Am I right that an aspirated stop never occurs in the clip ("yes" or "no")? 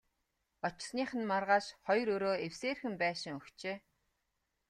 yes